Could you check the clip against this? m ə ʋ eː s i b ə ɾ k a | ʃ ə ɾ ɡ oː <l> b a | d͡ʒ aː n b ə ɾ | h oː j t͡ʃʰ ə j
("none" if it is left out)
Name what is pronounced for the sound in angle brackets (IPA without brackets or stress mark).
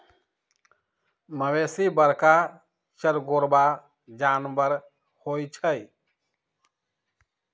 ɾ